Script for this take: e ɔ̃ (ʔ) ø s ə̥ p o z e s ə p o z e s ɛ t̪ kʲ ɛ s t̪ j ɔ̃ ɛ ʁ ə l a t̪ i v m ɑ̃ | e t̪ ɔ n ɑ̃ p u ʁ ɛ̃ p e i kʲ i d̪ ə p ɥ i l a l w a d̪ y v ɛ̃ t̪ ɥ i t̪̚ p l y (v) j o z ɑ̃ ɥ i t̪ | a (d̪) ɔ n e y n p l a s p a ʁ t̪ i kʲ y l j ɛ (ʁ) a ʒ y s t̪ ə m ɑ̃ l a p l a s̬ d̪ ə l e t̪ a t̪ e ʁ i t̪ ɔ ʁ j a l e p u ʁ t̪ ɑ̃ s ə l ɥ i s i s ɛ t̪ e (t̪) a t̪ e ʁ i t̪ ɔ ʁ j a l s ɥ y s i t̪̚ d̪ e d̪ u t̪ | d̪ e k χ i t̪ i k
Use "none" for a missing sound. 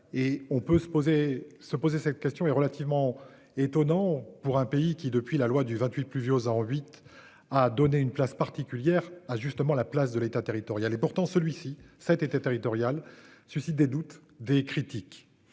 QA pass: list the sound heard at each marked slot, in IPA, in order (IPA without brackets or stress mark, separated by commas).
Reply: p, v, d̪, ʁ, t̪